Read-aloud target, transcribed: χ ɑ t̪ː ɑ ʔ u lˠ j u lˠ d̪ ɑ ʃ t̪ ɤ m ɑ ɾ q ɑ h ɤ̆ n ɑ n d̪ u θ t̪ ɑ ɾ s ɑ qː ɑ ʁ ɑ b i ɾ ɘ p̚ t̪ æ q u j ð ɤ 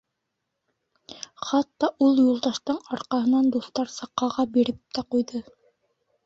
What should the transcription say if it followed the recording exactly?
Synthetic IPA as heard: χ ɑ t̪ː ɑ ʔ u lˠ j u lˠ d̪ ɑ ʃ t̪ ɤ ɴ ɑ ɾ q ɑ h ɤ̆ n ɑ n d̪ u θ t̪ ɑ ɾ s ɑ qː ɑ ʁ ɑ b i ɾ ɘ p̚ t̪ æ q u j ð ɤ